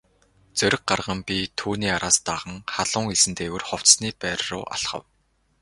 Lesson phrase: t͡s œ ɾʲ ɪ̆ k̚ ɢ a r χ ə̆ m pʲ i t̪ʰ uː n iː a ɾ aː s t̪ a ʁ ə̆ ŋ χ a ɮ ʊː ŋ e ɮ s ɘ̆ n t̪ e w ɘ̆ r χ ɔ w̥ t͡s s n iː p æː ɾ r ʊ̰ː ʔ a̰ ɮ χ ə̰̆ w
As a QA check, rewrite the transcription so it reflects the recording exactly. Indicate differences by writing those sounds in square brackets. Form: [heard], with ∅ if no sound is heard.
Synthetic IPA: t͡s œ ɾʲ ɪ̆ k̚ ɢ a r [ʁ] ə̆ m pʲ i t̪ʰ uː n iː a ɾ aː s t̪ a ʁ ə̆ ŋ χ a ɮ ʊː ŋ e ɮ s ɘ̆ n t̪ e w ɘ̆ r χ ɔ w̥ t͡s s n iː p æː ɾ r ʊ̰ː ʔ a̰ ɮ χ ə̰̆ w

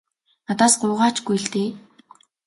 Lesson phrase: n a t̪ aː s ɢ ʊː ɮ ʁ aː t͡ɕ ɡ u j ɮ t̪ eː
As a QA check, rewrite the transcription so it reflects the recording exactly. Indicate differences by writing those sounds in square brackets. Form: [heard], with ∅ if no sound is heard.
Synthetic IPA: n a t̪ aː s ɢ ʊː [∅] ʁ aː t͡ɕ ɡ u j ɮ t̪ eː

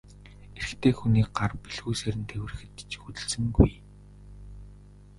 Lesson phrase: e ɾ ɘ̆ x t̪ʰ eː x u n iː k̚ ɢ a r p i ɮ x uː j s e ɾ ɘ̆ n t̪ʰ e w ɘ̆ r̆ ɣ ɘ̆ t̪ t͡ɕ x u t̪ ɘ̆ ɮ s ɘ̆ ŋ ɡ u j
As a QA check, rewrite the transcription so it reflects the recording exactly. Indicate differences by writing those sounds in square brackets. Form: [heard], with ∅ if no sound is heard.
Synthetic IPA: e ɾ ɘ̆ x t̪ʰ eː x u n iː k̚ ɢ a r p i ɮ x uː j s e ɾ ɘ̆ n t̪ʰ e w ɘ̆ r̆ [x] ɘ̆ t̪ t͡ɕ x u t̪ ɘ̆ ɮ s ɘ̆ ŋ ɡ u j

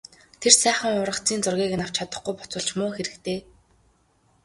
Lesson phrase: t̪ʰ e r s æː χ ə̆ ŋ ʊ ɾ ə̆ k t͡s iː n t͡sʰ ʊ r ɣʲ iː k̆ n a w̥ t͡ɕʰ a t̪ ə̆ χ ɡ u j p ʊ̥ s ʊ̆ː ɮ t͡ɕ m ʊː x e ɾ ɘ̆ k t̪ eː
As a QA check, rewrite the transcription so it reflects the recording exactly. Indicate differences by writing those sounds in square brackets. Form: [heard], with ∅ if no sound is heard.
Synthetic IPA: t̪ʰ e r s æː χ ə̆ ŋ ʊ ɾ ə̆ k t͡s iː n [t͡s] ʊ r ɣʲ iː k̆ n a w̥ t͡ɕʰ a t̪ ə̆ χ ɡ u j p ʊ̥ [t͡s] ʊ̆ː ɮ t͡ɕ m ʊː x e ɾ ɘ̆ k t̪ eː

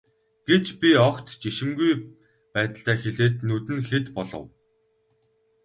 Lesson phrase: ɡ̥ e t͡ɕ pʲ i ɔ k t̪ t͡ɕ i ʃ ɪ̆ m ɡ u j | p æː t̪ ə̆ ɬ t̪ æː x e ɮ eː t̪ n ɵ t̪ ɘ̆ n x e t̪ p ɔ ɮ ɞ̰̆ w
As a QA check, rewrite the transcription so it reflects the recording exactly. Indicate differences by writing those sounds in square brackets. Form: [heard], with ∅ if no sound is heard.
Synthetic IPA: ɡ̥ e t͡ɕ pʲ i ɔ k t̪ t͡ɕ i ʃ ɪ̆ m ɡ u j | p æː t̪ ə̆ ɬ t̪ æː x e ɮ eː t̪ n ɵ t̪ ɘ̆ n x e t̪ p ɔ ɮ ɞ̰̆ w

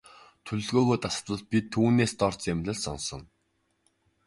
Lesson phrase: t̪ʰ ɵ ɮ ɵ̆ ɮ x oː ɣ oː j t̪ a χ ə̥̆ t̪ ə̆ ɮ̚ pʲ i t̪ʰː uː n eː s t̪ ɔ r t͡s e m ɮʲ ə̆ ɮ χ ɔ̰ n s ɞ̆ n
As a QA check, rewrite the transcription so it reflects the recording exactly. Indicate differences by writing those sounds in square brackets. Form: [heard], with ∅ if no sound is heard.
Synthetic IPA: t̪ʰ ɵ ɮ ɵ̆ ɮ [ɣ] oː ɣ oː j t̪ a [s] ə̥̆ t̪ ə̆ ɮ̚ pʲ i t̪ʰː uː n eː s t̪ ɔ r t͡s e m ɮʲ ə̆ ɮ [s] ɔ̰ n s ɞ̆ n

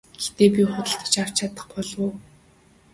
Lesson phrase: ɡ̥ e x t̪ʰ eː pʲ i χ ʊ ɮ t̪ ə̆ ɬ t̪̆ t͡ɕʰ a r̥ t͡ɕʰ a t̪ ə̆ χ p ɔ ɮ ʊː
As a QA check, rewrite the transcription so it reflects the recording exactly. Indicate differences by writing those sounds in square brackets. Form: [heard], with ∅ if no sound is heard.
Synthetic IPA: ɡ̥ e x [t̪] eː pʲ i χ ʊ [∅] t̪ ə̆ ɬ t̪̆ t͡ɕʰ a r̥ t͡ɕʰ a t̪ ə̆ χ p ɔ ɮ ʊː

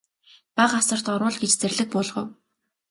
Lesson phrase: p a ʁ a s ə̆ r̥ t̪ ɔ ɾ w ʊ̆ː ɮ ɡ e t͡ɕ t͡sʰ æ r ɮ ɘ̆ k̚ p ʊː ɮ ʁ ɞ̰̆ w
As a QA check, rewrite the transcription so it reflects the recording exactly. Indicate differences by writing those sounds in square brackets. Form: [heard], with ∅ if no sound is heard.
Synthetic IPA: p a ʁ a s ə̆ r̥ t̪ ɔ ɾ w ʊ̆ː ɮ ɡ e t͡ɕ [t͡s] æ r ɮ ɘ̆ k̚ p ʊː ɮ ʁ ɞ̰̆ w

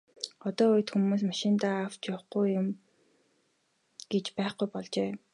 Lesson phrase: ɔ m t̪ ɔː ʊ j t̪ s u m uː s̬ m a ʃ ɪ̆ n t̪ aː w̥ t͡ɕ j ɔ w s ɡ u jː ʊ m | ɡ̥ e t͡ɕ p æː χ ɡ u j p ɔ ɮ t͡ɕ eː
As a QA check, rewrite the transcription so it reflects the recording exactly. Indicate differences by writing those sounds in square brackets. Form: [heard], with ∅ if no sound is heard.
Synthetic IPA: ɔ [∅] t̪ ɔː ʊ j t̪ [x] u m uː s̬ m a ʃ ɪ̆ n t̪ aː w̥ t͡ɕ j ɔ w [χ] ɡ u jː ʊ m | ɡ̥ e t͡ɕ p æː χ ɡ u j p ɔ ɮ t͡ɕ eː

